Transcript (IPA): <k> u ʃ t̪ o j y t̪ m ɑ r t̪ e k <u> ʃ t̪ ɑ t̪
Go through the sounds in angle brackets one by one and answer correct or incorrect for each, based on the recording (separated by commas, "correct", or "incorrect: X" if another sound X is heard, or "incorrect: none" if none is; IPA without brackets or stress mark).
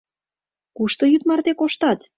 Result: correct, incorrect: o